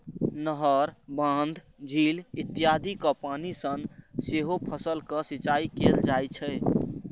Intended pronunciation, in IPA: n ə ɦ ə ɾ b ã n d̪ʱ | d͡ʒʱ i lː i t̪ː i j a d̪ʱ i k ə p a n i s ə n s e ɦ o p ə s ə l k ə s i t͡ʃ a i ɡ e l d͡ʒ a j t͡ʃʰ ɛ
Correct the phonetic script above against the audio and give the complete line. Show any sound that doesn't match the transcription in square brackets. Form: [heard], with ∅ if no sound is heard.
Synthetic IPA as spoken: n ə ɦ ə ɾ b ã n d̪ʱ | d͡ʒʱ i [l] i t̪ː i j a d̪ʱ i k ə p a n i s ə n s e ɦ o [pʰ] ə s ə l k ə s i t͡ʃ a i [k] e l d͡ʒ a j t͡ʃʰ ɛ

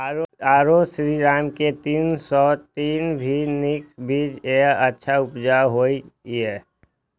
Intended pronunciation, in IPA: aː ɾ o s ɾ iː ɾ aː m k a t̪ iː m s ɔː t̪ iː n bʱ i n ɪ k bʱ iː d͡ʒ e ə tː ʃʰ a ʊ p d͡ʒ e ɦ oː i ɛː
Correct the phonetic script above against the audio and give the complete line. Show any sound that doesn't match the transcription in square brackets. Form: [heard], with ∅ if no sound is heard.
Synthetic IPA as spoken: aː ɾ o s ɾ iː ɾ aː m k [e] t̪ iː [n] s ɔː t̪ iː n bʱ i n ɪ k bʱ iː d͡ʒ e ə tː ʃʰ a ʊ p d͡ʒ [a] ɦ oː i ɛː

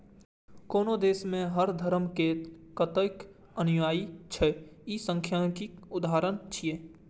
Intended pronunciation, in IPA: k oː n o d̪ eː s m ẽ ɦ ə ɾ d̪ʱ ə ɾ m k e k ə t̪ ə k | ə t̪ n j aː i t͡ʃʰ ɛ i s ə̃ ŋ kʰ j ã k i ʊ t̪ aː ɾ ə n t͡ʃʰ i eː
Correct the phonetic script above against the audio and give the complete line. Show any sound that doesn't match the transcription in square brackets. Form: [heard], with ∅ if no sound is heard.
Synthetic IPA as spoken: k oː n o d̪ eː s m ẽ ɦ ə ɾ d̪ʱ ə ɾ m k e k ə t̪ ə k | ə [∅] n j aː i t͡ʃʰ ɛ i s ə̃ ŋ kʰ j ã k i ʊ [d̪] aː ɾ ə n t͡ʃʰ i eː

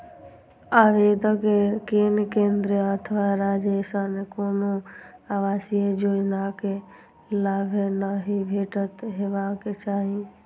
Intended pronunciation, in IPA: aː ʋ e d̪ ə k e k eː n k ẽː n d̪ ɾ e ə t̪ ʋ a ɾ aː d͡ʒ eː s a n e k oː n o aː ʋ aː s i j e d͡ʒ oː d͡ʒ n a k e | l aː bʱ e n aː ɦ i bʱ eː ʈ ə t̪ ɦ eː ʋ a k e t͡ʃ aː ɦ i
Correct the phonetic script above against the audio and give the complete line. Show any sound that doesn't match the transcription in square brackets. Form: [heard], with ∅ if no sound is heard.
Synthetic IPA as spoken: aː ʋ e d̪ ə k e k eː n k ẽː n d̪ ɾ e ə [t̪ʰ] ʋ a ɾ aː d͡ʒ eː s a n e k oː n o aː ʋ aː s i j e d͡ʒ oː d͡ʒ n a k e | l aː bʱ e n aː ɦ i bʱ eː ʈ ə t̪ ɦ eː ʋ a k e t͡ʃ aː ɦ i

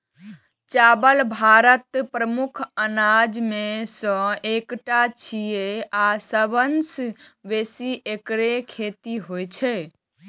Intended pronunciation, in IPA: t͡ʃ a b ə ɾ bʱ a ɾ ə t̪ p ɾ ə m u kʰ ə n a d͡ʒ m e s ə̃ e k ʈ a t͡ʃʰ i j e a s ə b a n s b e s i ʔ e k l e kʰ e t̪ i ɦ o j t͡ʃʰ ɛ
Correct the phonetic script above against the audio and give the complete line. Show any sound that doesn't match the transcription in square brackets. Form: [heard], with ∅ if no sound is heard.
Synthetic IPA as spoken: t͡ʃ a b ə [l] bʱ a ɾ ə t̪ p ɾ ə m u kʰ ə n a d͡ʒ m e s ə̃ e k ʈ a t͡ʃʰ i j e a s ə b [ə] n s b e s i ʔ e k [ɾ] e kʰ e t̪ i ɦ o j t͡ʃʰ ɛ

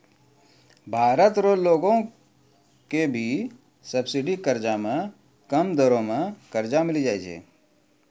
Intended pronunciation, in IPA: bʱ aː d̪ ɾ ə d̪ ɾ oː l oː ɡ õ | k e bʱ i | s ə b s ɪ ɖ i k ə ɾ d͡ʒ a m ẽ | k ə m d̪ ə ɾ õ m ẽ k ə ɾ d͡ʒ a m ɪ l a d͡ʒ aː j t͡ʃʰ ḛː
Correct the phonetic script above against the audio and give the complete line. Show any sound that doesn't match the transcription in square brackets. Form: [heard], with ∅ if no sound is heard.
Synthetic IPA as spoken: bʱ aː [∅] ɾ ə [t̪] ɾ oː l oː ɡ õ | k e bʱ i | s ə b s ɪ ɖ i k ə ɾ d͡ʒ a m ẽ | k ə m d̪ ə ɾ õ m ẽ k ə ɾ d͡ʒ a m ɪ l [i] d͡ʒ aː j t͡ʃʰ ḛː

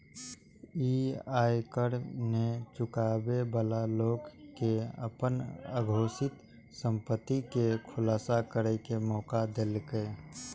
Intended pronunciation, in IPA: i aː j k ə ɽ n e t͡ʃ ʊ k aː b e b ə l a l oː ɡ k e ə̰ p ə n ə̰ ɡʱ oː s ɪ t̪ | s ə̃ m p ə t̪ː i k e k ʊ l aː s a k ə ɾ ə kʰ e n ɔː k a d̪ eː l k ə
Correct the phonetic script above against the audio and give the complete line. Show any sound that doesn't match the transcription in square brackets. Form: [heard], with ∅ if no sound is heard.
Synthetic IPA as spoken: i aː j k ə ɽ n e t͡ʃ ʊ k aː b e b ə l a l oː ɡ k e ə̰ p ə n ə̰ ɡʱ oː s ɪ t̪ | s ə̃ m p ə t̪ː i k e [kʰ] ʊ l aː s a k ə ɾ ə [k] e [m] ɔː k a d̪ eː l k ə

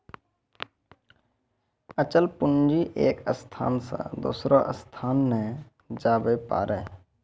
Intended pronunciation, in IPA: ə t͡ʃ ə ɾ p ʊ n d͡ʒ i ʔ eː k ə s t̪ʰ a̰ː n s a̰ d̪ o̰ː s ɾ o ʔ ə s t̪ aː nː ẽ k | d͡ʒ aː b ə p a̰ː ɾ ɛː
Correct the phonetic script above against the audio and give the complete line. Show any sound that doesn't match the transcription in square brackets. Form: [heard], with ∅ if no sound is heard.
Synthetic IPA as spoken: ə t͡ʃ ə [l] p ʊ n d͡ʒ i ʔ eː k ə s t̪ʰ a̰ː n s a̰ d̪ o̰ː s ɾ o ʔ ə s [t̪ʰ] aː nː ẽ [∅] | d͡ʒ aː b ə p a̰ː ɾ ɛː

